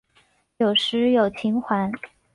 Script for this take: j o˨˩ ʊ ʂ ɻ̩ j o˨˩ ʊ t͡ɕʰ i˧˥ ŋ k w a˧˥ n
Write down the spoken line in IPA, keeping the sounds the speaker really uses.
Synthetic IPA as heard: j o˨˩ ʊ ʂ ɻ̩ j o˨˩ ʊ t͡ɕʰ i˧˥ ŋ x w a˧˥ n